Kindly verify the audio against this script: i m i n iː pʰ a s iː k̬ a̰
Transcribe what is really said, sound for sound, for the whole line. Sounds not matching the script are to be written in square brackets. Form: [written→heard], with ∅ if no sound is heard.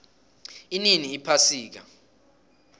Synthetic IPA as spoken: i [m→n] i n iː pʰ a s iː k̬ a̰